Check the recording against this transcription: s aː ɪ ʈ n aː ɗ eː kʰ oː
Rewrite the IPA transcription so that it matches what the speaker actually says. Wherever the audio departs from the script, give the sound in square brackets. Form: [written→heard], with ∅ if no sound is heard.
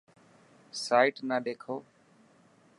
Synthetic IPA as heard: s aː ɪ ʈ n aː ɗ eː kʰ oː